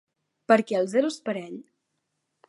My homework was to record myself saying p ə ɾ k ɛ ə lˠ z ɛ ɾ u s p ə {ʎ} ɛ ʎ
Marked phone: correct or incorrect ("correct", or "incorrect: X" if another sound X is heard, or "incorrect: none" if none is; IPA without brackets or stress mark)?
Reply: incorrect: ɾ